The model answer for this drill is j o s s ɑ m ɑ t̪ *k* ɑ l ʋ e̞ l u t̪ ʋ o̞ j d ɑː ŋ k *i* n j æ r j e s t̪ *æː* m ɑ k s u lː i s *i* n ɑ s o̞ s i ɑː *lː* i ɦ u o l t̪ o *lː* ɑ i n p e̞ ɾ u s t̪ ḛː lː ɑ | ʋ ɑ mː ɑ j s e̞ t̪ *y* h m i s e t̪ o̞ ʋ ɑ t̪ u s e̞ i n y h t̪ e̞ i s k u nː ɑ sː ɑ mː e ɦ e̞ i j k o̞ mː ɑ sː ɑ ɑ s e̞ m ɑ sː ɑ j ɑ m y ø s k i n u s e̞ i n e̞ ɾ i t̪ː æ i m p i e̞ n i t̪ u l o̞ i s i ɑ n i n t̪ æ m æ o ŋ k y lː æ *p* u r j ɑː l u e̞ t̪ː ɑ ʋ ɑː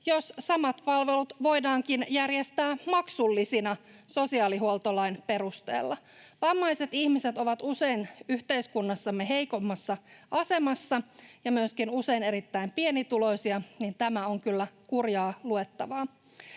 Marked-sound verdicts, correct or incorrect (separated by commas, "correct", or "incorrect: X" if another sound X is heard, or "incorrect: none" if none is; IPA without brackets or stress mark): incorrect: p, correct, correct, correct, incorrect: l, incorrect: l, incorrect: i, incorrect: k